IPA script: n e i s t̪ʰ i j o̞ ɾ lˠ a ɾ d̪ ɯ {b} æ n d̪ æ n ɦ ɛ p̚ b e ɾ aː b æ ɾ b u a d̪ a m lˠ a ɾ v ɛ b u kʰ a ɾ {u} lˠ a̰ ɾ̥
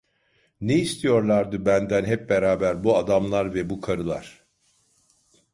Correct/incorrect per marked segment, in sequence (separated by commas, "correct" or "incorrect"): correct, incorrect